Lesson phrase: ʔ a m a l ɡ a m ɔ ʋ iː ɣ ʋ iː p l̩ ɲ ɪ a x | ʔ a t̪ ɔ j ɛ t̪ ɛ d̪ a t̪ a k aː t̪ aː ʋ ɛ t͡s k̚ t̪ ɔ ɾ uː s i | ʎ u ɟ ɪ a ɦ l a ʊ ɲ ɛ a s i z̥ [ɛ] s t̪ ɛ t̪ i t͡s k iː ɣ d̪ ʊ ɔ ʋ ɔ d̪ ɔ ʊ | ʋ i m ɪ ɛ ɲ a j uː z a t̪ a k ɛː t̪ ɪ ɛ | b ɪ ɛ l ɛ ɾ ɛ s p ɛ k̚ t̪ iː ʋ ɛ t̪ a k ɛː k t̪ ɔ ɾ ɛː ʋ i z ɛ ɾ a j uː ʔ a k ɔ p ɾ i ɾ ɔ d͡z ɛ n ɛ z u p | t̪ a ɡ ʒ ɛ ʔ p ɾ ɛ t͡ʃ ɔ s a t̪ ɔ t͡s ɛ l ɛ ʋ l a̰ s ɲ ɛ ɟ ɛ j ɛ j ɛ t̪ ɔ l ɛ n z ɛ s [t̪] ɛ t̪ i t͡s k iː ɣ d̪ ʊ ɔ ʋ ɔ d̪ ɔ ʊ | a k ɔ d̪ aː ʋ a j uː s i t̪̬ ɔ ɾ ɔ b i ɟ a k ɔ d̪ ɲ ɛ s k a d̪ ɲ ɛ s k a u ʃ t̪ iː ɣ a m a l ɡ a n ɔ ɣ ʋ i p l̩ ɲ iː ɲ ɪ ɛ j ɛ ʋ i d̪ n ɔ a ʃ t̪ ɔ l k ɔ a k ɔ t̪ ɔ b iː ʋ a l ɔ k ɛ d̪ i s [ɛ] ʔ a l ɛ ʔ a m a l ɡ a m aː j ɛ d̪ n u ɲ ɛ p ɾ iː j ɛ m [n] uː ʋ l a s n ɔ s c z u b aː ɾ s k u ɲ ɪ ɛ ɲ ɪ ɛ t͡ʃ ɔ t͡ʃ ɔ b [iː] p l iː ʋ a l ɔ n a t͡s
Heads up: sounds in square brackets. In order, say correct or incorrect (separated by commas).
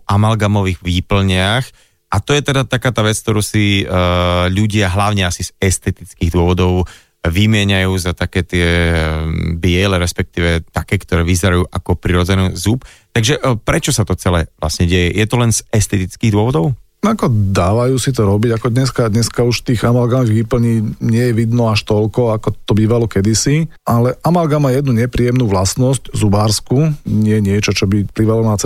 correct, correct, incorrect, correct, incorrect